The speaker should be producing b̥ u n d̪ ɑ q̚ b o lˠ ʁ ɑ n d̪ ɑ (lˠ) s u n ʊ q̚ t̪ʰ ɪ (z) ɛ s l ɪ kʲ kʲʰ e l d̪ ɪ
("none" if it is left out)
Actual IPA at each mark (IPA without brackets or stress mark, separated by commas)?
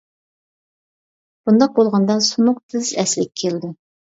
none, z